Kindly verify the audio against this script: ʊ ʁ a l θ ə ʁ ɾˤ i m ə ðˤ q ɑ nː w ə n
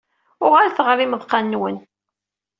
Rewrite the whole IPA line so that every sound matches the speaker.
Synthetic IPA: ʊ ʁ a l θ ə ʁ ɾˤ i m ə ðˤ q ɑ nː w ə n